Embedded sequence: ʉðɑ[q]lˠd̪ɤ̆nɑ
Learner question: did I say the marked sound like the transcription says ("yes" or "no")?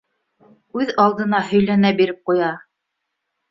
no